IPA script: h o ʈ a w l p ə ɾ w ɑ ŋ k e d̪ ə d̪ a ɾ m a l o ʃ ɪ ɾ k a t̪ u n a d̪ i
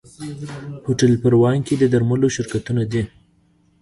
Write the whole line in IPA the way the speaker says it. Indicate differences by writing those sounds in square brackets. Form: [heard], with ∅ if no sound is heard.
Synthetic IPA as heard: h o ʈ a [∅] l p ə ɾ w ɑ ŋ k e d̪ ə d̪ a ɾ m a l o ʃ ɪ ɾ k a t̪ u n a d̪ i